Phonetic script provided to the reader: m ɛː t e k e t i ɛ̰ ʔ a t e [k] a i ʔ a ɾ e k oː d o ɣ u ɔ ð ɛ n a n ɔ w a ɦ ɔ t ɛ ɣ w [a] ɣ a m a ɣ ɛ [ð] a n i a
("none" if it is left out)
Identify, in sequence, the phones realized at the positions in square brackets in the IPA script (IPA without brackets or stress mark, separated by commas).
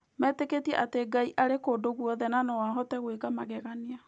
ɡ, e, ɣ